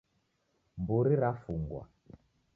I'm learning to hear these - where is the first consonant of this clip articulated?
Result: lips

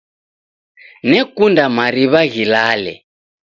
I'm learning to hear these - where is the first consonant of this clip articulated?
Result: tongue tip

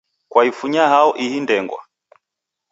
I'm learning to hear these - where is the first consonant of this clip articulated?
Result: velum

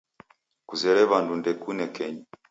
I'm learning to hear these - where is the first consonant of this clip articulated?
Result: velum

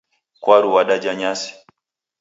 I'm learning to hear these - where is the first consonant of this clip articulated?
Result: velum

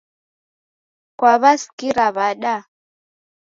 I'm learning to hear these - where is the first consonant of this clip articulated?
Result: velum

